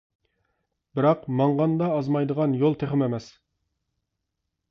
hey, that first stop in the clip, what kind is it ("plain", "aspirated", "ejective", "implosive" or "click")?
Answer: plain